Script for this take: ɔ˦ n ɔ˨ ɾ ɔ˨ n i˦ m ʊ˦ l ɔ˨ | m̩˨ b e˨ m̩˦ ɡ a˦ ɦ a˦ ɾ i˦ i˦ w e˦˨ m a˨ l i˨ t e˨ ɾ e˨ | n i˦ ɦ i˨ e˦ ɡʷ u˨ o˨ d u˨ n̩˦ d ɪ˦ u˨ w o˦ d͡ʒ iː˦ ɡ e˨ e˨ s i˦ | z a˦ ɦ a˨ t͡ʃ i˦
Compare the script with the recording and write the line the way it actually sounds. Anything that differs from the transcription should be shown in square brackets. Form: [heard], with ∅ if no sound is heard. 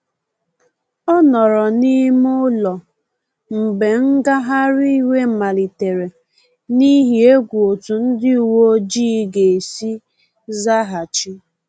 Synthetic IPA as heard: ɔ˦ n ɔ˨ ɾ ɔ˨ n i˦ m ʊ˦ l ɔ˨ | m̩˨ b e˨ [ŋ̩˦] ɡ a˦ ɦ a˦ ɾ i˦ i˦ w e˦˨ m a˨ l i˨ t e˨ ɾ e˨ | n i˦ ɦ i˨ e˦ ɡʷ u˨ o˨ [t] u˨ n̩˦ d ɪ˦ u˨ w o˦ d͡ʒ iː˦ ɡ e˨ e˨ s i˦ | z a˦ ɦ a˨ t͡ʃ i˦